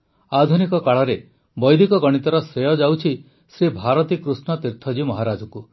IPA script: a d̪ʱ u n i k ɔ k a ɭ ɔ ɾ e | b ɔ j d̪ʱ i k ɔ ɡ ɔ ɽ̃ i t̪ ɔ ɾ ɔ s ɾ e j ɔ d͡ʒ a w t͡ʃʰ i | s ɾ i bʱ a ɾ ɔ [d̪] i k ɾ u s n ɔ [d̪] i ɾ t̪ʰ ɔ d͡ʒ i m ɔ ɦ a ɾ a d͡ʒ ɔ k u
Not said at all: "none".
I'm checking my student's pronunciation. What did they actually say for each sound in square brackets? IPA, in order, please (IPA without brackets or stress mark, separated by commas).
t̪, t̪